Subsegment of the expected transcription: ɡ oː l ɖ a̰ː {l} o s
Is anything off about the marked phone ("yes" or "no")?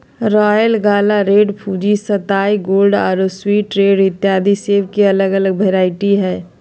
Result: yes